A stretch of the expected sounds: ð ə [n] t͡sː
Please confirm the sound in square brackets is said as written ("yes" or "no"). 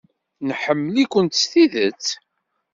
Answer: no